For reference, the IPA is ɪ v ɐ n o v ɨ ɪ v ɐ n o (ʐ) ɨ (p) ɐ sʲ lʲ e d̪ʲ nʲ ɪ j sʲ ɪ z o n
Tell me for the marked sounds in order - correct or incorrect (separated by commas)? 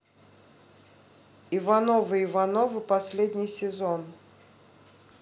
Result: incorrect, correct